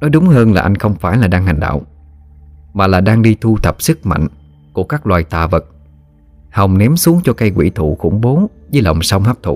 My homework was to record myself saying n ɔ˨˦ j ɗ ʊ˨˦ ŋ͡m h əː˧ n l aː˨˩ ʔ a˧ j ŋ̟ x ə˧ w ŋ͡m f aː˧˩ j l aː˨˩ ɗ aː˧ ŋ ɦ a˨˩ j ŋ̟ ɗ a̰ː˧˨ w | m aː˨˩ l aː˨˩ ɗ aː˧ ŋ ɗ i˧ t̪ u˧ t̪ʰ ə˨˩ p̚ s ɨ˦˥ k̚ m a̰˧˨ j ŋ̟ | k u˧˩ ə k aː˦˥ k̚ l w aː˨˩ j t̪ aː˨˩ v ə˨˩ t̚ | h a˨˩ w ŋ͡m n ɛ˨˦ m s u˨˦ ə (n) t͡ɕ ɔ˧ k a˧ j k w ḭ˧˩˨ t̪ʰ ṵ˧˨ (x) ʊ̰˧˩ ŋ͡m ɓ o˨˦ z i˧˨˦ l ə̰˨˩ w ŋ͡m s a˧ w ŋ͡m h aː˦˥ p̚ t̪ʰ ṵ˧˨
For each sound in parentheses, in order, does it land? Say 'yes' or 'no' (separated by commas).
no, yes